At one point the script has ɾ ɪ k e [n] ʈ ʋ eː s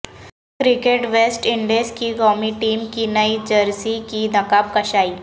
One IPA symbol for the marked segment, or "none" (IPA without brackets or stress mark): none